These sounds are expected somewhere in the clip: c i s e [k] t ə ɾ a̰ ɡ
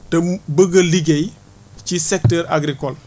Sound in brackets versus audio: correct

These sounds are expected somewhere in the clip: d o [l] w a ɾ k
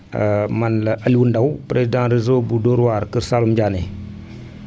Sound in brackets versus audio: incorrect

